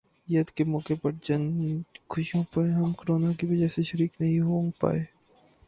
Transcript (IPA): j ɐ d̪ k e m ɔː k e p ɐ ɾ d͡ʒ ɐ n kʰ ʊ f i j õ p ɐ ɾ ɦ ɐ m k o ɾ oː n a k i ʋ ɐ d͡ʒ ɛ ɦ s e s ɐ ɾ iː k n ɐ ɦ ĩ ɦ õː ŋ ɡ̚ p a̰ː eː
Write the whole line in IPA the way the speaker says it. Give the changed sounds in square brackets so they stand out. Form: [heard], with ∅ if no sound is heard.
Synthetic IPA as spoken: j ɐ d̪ k e m ɔː k e p ɐ ɾ d͡ʒ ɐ n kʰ ʊ [ʃ] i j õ p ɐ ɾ ɦ ɐ m k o ɾ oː n a k i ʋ ɐ d͡ʒ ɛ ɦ s e [ʃ] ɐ ɾ iː k n ɐ ɦ ĩ ɦ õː ŋ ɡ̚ p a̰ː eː